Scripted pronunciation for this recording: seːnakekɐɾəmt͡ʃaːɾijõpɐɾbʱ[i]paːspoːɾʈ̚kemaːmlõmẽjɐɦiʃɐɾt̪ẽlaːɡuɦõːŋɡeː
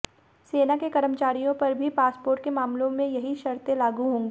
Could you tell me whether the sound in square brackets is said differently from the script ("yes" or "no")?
no